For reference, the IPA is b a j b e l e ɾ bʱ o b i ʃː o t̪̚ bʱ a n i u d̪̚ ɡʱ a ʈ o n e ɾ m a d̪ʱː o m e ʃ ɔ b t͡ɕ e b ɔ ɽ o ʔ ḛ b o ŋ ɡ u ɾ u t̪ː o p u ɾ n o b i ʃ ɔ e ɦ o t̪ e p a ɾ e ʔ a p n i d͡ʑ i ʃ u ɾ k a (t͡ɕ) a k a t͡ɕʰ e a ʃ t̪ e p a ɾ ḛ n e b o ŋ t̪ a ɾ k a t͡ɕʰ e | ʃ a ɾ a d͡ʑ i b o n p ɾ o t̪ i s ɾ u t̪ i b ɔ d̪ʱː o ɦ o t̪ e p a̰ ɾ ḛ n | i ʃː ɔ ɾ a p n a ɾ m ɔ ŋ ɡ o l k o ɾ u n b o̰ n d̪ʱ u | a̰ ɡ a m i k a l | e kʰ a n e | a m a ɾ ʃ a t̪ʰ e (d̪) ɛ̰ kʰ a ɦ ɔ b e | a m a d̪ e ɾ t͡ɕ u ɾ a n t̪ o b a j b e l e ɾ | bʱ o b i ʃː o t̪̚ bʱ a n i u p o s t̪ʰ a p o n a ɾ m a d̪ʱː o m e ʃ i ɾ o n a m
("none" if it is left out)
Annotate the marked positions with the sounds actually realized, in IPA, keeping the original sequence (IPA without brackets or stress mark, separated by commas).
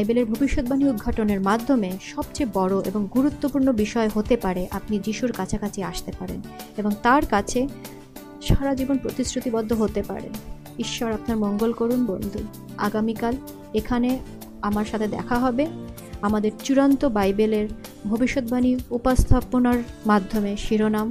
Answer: t͡ɕʰ, d̪